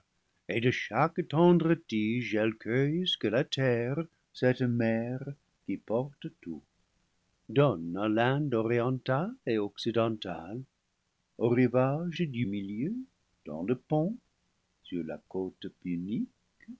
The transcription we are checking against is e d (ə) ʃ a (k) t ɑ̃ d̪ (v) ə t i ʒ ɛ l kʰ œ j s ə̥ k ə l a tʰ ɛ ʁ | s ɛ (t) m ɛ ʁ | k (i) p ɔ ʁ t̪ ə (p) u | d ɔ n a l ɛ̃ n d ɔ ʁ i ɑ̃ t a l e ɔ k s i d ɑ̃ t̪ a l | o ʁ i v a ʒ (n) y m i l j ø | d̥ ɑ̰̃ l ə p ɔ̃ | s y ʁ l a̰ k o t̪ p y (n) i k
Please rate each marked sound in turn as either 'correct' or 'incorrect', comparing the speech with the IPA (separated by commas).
correct, correct, incorrect, correct, correct, incorrect, incorrect, correct